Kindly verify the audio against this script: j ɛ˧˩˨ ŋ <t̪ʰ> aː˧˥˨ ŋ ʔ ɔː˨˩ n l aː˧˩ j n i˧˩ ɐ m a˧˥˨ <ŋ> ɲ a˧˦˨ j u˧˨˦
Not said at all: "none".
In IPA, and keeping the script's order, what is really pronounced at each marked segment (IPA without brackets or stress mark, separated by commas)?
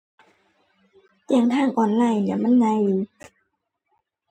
t̪ʰ, n